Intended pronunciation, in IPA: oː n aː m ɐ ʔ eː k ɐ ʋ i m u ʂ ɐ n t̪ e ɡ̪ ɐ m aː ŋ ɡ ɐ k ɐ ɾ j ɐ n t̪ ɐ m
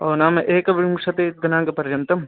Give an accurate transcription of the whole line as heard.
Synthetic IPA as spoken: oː n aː m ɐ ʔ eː k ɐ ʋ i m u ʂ ɐ t̪ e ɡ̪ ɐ n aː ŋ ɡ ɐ p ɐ ɾ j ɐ n t̪ ɐ m